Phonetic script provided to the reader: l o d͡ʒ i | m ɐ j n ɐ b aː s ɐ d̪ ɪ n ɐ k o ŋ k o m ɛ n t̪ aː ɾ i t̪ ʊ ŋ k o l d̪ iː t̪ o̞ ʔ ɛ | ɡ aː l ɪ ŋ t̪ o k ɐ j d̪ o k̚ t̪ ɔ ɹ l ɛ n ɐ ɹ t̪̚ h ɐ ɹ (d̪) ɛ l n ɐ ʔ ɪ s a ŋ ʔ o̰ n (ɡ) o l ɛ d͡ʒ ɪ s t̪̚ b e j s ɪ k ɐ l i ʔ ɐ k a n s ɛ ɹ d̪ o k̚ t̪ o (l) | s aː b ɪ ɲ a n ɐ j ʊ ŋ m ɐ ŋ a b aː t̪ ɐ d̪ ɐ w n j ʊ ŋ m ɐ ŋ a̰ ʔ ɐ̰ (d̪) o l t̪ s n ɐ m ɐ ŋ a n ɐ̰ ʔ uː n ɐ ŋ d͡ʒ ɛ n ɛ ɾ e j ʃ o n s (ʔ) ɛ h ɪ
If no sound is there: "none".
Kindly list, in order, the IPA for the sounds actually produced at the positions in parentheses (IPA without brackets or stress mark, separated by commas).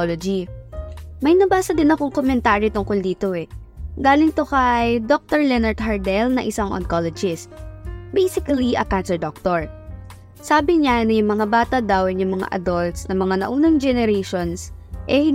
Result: d̪, k, ɹ, d̪, ʔ